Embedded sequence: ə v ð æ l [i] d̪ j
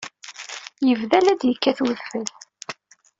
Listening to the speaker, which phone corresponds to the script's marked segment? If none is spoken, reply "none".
æ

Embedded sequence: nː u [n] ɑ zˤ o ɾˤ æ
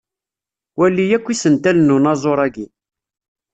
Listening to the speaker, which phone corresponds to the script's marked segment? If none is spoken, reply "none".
n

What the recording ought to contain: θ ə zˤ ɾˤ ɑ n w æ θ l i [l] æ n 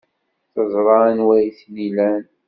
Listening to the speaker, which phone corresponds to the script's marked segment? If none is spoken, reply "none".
l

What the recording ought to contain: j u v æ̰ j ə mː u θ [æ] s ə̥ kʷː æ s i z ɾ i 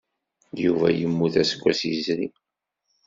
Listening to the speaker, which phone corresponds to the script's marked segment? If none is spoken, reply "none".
æ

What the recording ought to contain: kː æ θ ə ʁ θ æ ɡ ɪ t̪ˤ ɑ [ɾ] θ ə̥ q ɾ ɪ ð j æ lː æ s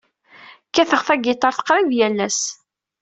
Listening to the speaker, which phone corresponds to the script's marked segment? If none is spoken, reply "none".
ɾ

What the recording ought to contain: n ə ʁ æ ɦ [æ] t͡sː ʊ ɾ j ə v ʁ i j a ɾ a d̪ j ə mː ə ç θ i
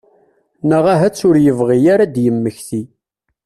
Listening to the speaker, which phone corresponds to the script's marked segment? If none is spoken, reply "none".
æ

